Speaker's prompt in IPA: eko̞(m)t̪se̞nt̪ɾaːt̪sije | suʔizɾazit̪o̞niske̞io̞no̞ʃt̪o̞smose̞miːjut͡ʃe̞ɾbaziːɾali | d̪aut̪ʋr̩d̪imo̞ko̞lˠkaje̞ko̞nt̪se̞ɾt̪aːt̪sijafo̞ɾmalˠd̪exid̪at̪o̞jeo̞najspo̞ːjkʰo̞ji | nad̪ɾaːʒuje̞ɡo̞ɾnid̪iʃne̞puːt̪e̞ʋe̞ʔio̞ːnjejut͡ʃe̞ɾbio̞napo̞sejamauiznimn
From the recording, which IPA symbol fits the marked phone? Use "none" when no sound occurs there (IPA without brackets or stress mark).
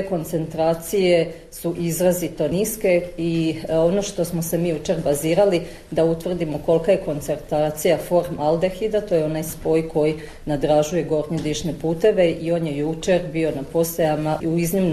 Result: n